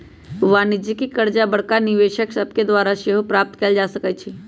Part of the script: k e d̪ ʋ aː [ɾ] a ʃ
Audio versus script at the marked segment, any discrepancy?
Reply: no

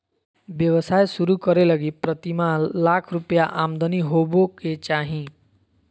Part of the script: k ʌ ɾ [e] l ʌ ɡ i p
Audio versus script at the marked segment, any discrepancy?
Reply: no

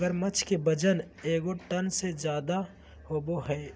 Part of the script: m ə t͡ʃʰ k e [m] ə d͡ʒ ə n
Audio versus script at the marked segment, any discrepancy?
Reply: yes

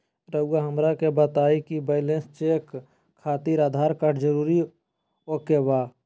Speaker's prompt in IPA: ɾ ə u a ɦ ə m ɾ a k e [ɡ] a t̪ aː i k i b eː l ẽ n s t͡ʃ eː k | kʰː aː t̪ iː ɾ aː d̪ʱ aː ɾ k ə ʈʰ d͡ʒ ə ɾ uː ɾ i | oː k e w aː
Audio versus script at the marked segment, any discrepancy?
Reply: yes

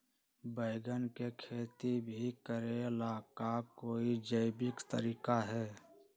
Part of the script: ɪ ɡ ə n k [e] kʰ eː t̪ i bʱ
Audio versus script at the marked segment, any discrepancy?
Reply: no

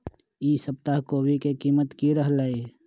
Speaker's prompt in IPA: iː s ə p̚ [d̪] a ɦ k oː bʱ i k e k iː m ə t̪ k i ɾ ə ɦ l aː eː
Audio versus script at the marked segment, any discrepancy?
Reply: yes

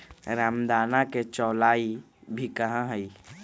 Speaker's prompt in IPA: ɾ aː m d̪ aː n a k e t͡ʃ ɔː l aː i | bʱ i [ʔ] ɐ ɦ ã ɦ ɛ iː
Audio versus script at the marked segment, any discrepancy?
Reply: yes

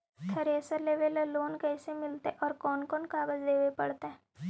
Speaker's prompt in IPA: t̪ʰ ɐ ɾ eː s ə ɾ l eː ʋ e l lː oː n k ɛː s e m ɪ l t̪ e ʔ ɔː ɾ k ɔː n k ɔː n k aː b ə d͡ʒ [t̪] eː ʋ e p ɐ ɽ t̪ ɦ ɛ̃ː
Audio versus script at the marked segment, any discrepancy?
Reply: yes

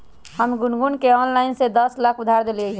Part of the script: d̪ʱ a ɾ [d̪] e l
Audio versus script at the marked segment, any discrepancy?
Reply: no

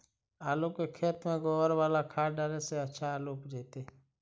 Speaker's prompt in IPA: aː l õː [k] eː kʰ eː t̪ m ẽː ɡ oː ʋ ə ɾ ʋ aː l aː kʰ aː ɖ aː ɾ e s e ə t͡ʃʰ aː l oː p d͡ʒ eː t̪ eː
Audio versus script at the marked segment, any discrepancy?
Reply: no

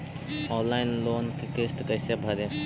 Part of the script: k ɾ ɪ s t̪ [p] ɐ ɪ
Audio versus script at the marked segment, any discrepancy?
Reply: yes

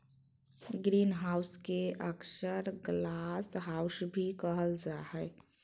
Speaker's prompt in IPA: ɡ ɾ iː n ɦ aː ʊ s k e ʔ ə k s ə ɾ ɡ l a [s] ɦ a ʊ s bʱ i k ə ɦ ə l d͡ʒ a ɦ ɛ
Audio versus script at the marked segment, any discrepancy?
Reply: no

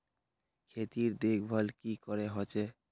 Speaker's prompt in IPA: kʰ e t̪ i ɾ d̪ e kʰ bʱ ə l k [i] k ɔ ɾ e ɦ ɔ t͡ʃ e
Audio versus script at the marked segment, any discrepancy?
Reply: no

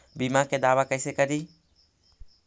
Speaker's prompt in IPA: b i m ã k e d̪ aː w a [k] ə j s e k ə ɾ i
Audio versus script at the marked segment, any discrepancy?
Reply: no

